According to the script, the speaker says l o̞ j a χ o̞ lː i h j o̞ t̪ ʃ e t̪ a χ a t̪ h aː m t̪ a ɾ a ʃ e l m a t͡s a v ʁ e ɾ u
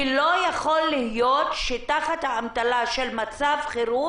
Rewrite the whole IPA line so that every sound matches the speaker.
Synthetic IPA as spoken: l o̞ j a χ o̞ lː i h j o̞ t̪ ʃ e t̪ a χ a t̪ h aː m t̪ a l a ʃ e l m a t͡s a v χ e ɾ u